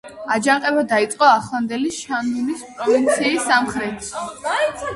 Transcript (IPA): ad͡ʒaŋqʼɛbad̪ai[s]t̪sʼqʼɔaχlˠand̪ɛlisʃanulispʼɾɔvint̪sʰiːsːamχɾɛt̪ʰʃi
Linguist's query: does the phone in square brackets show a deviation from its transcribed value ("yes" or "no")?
yes